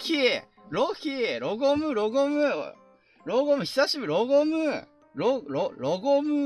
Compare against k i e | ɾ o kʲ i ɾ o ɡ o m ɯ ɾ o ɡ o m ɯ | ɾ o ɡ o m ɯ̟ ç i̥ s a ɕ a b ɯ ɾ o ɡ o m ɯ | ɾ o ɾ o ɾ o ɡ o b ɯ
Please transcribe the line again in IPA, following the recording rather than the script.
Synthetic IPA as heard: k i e | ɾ o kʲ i ɾ o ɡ o m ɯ ɾ o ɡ o m ɯ | ɾ o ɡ o m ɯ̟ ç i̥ s a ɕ i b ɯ ɾ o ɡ o m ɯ | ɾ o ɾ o ɾ o ɡ o m ɯ